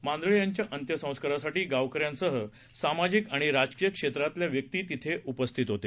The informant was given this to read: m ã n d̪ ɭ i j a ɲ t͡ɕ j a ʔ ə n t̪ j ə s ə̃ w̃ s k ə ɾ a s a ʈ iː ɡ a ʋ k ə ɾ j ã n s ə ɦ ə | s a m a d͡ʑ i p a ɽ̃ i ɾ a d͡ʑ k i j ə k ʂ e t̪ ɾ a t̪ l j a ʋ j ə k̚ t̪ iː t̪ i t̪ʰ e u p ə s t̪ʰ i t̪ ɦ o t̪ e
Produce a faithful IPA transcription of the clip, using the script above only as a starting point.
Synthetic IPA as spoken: m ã n d̪ ɭ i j a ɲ t͡ɕ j a ʔ ə n t̪ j ə s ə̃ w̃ s k ə ɾ a s a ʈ iː ɡ a ʋ k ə ɾ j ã n s ə ɦ ə | s a m a d͡ʑ i k a ɽ̃ i ɾ a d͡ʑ k i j ə k ʂ e t̪ ɾ a t̪ l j a ʋ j ə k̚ t̪ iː t̪ i t̪ʰ e u p ə s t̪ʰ i t̪ ɦ o t̪ e